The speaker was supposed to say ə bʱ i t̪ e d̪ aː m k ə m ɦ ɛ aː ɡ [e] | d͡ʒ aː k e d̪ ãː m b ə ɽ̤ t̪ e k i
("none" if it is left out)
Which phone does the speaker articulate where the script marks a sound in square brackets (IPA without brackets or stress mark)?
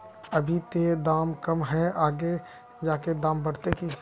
e